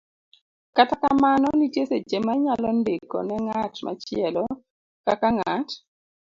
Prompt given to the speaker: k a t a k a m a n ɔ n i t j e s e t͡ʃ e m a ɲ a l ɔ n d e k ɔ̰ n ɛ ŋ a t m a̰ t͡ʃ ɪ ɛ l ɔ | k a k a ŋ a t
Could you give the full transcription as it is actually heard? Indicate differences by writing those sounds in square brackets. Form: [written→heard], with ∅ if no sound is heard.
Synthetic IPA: k a t a k a m a n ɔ n i t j e s e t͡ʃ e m a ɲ a l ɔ n d e k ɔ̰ n ɛ ŋ a t m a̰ t͡ʃ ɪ ɛ l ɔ | k a k a ŋ a t